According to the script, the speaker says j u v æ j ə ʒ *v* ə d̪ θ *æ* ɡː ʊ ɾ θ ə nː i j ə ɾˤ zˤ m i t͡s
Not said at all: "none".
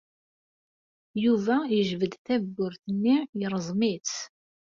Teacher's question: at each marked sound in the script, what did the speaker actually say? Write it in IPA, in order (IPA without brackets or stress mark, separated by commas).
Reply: v, æ